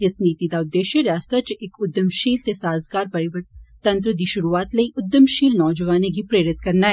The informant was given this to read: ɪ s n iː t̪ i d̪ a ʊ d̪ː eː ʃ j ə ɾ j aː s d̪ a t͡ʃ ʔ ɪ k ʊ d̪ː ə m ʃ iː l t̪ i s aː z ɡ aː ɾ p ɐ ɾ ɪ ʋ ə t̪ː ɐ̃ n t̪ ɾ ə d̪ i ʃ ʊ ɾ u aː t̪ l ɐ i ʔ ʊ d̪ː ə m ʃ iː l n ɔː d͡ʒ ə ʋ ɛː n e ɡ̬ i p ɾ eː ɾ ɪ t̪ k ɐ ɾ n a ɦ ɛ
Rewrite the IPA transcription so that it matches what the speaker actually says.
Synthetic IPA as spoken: ɪ s n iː t̪ i d̪ a ʊ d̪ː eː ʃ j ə ɾ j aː s t̪ a t͡ʃ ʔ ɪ k ʊ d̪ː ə m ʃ iː l t̪ e s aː z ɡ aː ɾ p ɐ ɾ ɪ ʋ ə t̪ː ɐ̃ n t̪ ɾ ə d̪ i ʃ ʊ ɾ u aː t̪ l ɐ i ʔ ʊ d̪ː ə m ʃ iː l n ɔː d͡ʒ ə ʋ aː n e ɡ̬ i p ɾ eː ɾ ɪ t̪ k ɐ ɾ n a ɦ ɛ

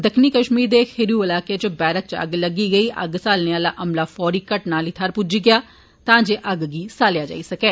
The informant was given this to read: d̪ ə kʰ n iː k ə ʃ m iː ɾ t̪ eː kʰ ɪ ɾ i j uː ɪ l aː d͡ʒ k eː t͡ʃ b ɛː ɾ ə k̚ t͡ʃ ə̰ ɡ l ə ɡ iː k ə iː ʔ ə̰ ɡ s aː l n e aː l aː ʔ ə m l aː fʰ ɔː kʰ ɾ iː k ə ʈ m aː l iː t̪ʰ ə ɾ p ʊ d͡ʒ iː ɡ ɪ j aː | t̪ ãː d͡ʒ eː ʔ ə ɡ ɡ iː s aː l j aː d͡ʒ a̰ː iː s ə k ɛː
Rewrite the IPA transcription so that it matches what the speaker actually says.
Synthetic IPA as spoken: d̪ ə kʰ n iː k ə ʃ m iː ɾ d̪ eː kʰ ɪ ɾ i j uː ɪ l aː k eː t͡ʃ b ɛː ɾ ə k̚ t͡ʃ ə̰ ɡ l ə ɡ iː ɡ ə iː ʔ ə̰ ɡ s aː l n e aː l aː ʔ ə m l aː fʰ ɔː ɾ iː k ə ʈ n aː l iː t̪ʰ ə ɾ p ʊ d͡ʒ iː ɡ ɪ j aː | t̪ ãː d͡ʒ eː ʔ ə ɡ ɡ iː s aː l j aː d͡ʒ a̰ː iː s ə k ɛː

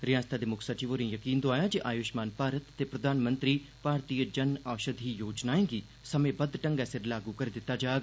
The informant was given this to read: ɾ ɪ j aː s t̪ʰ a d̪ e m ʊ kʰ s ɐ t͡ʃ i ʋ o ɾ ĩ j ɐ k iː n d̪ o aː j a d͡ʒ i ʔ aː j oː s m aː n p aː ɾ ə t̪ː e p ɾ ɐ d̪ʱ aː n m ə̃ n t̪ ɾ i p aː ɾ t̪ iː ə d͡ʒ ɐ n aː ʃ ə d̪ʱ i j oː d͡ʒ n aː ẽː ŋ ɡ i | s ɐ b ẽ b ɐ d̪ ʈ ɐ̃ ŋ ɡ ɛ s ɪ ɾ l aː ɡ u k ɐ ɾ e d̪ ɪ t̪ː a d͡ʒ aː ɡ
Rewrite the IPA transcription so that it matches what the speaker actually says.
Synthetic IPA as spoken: ɾ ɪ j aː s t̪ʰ a d̪ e m ʊ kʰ s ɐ t͡ʃ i ʋ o ɾ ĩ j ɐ k iː n d̪ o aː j a d͡ʒ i ʔ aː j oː ʃ m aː n p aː ɾ ə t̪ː e p ɾ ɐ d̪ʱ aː n m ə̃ n t̪ ɾ i p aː ɾ t̪ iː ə d͡ʒ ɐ n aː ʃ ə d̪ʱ i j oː d͡ʒ n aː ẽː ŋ ɡ i | s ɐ m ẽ b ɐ d̪ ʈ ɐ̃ ŋ ɡ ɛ s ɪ ɾ l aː ɡ u k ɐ ɾ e d̪ ɪ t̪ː a d͡ʒ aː ɡ

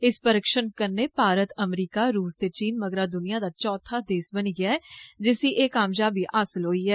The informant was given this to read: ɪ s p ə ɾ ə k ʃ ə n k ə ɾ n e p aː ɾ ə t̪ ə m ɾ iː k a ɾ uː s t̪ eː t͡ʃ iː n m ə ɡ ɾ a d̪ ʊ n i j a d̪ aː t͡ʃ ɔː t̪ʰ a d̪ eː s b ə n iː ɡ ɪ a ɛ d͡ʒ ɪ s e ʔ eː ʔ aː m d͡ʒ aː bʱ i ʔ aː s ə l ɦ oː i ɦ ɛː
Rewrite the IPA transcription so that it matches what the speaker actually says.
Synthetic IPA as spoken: ɪ s p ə ɾ ə k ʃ ə n k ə ɾ n e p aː ɾ ə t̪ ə m ɾ iː k a ɾ uː s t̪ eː t͡ʃ iː n m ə ɡ ɾ a d̪ ʊ n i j a d̪ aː t͡ʃ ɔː t̪ʰ a d̪ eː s b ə n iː ɡ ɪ a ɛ d͡ʒ ɪ s i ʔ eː k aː m d͡ʒ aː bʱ i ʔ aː s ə l ɦ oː i ɦ ɛː

